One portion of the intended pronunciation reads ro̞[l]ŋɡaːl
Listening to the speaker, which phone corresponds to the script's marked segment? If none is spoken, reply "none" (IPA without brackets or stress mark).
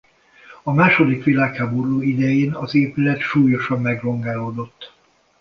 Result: none